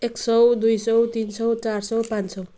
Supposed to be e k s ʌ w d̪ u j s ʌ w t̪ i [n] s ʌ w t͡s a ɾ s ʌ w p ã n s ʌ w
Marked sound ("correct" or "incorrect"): correct